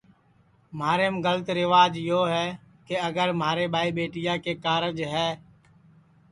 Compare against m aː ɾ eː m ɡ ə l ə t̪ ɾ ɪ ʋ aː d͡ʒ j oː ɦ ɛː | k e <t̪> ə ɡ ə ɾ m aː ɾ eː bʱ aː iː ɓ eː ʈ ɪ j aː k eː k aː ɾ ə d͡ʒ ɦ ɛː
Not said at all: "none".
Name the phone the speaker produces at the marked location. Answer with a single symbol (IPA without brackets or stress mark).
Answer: none